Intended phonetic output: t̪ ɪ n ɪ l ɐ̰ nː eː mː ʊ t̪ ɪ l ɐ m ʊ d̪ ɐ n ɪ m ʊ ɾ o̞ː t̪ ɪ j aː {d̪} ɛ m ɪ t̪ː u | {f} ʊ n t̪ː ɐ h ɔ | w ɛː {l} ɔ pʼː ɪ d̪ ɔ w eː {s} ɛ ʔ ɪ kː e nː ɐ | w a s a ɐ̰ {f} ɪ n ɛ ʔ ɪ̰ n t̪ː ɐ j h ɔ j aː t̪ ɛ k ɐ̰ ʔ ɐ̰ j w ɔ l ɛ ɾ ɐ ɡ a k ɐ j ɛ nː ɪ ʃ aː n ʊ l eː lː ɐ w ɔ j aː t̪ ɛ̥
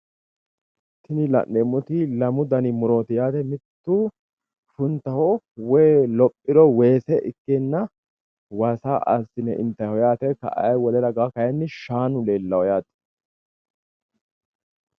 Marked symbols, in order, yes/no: no, yes, yes, yes, no

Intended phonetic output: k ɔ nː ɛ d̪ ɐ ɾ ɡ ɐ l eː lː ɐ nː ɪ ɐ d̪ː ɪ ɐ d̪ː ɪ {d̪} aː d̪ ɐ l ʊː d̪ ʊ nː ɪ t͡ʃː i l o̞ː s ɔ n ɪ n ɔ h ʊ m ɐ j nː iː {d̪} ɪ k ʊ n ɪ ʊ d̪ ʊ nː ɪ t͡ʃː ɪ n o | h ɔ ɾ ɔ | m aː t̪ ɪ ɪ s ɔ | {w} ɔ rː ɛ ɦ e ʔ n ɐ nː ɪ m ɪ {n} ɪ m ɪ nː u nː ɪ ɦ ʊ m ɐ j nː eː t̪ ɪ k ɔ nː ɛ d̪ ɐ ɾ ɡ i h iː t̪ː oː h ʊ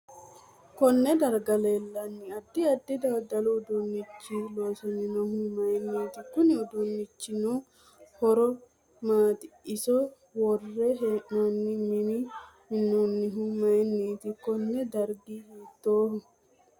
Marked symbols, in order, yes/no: yes, no, yes, yes

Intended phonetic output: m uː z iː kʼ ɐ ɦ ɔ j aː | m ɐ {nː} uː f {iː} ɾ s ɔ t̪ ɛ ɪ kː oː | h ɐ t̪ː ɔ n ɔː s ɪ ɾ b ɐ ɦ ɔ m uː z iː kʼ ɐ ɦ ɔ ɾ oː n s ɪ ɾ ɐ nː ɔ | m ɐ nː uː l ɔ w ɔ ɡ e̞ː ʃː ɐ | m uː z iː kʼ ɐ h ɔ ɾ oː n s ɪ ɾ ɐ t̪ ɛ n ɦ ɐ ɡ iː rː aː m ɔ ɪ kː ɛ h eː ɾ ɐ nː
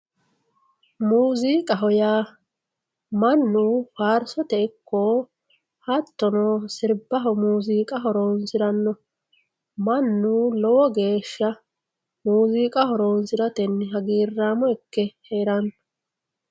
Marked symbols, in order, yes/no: yes, no

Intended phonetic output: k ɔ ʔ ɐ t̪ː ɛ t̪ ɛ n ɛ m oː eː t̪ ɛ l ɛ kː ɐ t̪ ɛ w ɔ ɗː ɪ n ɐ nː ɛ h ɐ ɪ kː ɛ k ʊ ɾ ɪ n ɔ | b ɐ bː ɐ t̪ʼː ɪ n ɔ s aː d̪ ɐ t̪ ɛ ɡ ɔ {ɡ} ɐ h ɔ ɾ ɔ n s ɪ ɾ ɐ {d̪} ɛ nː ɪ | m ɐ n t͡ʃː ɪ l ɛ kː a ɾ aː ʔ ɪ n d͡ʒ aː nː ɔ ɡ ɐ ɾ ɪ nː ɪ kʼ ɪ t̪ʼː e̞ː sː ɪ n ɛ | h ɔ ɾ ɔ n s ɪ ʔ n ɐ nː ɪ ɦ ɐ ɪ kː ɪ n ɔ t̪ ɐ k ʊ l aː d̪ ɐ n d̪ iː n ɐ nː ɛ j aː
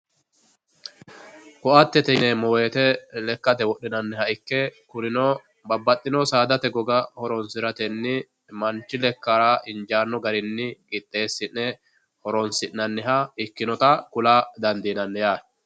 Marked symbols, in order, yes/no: yes, no

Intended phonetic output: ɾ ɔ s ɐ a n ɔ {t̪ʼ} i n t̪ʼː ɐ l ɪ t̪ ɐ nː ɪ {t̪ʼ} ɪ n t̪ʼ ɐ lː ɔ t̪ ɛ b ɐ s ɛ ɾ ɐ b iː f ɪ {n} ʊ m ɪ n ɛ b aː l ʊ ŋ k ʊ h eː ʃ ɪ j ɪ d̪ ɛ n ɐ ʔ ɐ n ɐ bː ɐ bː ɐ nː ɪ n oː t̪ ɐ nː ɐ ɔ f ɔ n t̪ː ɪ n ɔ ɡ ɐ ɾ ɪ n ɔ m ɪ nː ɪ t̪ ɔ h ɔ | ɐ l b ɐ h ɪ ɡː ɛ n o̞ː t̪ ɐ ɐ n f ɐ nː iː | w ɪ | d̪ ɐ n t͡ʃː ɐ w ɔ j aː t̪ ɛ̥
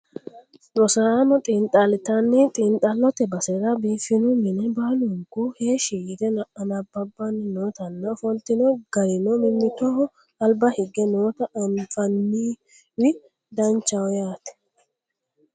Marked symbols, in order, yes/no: yes, yes, yes

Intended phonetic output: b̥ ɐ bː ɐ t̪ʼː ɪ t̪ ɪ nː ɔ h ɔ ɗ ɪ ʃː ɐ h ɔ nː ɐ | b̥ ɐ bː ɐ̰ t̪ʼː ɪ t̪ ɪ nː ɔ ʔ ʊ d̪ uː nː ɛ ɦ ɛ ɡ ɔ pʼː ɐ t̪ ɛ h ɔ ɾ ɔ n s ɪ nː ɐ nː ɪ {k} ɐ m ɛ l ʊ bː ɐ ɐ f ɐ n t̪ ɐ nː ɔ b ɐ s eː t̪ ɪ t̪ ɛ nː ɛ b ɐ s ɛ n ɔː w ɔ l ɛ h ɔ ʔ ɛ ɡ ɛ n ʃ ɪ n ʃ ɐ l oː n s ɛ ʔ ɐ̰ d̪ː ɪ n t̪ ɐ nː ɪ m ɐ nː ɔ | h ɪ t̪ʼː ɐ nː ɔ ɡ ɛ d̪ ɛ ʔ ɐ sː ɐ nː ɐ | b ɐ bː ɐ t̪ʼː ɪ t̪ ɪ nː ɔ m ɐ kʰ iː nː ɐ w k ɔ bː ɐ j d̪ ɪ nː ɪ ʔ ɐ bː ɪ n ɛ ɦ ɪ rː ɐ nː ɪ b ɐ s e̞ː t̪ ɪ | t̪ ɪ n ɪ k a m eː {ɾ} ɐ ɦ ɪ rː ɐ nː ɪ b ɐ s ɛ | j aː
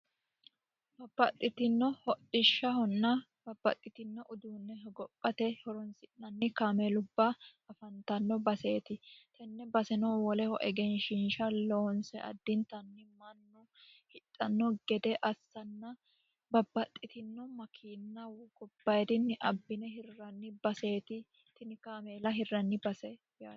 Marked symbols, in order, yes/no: yes, no

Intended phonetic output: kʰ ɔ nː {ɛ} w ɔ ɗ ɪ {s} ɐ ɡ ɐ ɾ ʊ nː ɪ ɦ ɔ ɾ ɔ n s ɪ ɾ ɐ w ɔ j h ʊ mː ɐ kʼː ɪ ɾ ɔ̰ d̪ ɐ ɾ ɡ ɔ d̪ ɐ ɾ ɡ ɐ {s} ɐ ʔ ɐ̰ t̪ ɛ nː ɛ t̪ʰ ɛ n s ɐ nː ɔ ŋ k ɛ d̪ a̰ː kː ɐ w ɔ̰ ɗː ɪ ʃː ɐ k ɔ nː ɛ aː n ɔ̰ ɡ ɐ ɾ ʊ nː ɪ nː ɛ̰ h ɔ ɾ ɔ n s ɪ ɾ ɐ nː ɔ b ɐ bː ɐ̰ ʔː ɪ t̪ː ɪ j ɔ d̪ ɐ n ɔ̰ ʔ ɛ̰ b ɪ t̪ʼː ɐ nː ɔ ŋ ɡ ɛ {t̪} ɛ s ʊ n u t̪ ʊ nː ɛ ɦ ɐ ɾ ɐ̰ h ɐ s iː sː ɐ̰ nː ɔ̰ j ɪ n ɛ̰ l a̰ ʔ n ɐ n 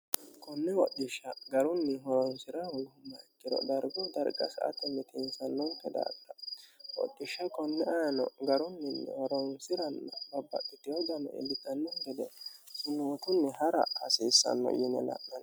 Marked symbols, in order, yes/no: yes, no, yes, no

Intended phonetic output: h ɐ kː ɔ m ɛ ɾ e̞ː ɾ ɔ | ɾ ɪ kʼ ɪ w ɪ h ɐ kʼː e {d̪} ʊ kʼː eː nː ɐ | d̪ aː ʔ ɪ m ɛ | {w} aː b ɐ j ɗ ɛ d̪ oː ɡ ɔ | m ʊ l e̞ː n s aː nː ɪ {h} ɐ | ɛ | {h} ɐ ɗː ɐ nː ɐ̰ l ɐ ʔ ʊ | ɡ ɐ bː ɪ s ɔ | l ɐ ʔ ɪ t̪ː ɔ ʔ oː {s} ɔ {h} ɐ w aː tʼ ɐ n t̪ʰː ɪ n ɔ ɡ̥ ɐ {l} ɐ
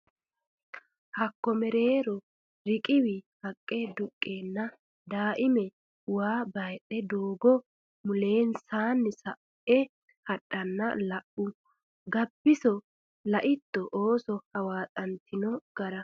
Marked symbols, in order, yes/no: yes, yes, no, yes, yes, yes, no

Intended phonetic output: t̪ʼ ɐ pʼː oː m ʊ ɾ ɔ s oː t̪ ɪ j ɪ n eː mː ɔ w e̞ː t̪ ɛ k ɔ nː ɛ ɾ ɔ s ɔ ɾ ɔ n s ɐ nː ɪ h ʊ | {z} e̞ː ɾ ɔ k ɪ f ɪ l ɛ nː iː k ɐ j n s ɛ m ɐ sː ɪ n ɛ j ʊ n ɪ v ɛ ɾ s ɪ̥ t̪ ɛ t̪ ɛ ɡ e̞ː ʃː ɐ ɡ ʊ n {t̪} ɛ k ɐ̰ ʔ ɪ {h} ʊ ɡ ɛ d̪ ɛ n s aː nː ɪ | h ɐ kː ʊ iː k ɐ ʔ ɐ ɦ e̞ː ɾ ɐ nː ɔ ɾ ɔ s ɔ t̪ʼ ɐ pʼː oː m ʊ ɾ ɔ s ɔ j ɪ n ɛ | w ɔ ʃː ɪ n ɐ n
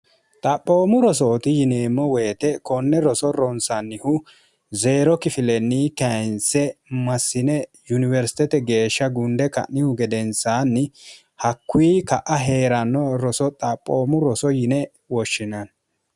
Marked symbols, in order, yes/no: yes, no, yes

